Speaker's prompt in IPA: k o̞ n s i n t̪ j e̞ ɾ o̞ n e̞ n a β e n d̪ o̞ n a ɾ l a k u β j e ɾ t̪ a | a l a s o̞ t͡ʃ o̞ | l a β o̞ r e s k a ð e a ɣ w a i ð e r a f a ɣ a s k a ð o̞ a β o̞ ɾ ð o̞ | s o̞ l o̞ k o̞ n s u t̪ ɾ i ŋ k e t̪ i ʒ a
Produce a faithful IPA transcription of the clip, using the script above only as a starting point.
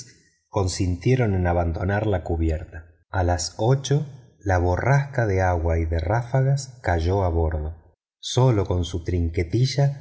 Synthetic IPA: k o̞ n s i n t̪ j e̞ ɾ o̞ n e̞ n a β a n d̪ o̞ n a ɾ l a k u β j e ɾ t̪ a | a l a s o̞ t͡ʃ o̞ | l a β o̞ r a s k a ð e a ɣ w a i ð e r a f a ɣ a s k a ʒ o̞ a β o̞ ɾ ð o̞ | s o̞ l o̞ k o̞ n s u t̪ ɾ i ŋ k e t̪ i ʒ a